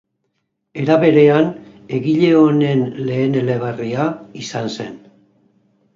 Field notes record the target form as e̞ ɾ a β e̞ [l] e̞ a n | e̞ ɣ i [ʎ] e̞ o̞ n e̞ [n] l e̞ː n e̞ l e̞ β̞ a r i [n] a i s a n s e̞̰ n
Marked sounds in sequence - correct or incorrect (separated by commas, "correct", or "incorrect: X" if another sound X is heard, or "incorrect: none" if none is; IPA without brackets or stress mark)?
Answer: incorrect: ɾ, correct, correct, incorrect: none